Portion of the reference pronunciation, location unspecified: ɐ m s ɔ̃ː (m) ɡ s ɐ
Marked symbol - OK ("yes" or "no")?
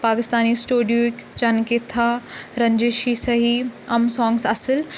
no